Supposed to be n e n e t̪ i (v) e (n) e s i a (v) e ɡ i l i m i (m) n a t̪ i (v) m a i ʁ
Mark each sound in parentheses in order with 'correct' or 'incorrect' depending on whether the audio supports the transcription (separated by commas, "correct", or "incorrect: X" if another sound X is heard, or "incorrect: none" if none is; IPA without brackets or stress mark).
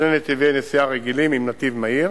correct, correct, incorrect: ʁ, correct, correct